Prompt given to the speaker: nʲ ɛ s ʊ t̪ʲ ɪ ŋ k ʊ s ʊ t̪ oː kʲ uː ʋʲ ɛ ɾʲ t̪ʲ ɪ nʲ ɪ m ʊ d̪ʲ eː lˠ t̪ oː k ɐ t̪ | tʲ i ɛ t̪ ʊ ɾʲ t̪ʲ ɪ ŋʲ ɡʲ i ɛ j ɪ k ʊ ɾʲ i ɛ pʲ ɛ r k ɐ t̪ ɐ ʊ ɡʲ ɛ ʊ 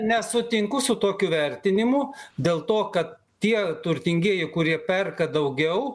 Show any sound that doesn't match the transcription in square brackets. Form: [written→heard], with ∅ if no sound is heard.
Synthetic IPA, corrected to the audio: nʲ ɛ s ʊ t̪ʲ ɪ ŋ k ʊ s ʊ t̪ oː kʲ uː ʋʲ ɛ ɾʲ t̪ʲ ɪ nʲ ɪ m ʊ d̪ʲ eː lˠ t̪ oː k ɐ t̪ | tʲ i ɛ t̪ ʊ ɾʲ t̪ʲ ɪ ŋʲ ɡʲ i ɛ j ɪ k ʊ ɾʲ i ɛ pʲ ɛ r k ɐ [t̪→d̪] ɐ ʊ ɡʲ ɛ ʊ